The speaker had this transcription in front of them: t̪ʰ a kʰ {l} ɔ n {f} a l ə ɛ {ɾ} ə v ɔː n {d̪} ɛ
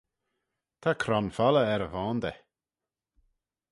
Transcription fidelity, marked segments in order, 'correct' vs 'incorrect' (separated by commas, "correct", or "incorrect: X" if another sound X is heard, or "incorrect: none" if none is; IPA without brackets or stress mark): incorrect: ɾ, correct, correct, correct